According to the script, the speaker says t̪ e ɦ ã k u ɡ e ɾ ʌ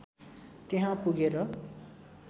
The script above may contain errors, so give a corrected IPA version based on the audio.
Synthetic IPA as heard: t̪ e ɦ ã p u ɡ e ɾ ʌ